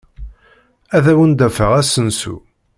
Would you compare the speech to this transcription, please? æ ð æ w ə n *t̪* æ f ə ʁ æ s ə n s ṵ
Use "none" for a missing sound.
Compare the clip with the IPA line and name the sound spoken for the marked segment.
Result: d̪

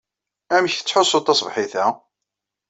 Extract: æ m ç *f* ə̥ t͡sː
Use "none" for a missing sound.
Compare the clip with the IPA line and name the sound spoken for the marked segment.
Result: θ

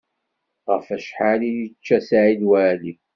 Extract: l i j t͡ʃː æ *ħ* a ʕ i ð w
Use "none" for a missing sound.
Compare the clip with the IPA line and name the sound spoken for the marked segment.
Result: s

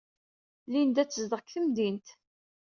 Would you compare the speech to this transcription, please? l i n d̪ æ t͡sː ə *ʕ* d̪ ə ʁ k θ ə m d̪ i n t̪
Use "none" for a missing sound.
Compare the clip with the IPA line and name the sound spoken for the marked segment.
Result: z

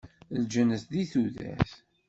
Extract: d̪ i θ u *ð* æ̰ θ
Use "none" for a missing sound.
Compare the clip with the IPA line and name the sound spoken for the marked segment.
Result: ð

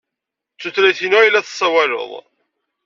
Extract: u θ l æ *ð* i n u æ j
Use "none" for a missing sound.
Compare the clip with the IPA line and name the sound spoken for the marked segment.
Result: θ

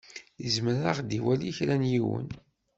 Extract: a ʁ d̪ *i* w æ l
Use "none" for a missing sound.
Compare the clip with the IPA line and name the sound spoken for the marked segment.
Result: i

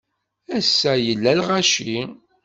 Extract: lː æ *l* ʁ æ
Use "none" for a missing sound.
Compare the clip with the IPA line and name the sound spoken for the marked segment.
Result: l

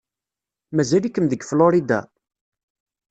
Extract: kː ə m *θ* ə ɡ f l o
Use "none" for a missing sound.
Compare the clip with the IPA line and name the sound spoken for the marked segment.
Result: ð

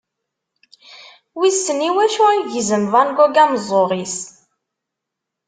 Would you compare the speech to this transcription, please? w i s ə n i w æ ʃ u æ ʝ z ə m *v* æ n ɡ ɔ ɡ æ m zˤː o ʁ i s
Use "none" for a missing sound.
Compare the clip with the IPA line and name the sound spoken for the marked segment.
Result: v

